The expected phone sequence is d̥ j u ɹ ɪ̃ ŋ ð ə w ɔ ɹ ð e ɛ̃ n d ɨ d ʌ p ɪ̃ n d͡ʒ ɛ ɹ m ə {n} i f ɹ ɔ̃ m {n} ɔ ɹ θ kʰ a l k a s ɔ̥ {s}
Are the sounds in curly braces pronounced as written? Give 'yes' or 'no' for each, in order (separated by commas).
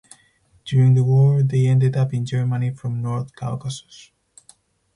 yes, yes, yes